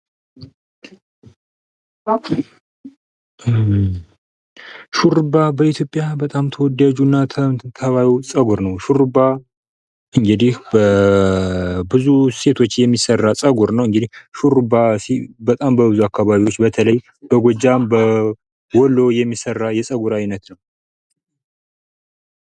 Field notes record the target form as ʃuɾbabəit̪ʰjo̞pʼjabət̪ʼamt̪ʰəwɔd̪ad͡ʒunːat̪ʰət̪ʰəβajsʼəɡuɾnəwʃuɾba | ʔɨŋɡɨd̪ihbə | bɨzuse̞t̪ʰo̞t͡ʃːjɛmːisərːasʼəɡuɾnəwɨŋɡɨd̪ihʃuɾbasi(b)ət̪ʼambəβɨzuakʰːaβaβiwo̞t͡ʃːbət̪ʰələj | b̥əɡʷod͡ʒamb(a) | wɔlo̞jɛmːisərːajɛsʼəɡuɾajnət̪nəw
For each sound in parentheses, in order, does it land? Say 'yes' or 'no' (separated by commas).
yes, no